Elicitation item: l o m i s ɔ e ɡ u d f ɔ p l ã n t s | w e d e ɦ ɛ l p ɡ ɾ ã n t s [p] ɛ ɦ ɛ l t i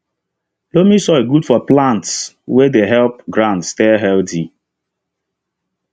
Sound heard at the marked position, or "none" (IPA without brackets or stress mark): t